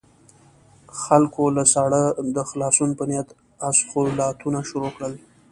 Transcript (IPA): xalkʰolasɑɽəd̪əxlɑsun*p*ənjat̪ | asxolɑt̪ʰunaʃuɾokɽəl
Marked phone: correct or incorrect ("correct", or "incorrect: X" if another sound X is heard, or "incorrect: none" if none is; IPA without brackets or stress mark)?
correct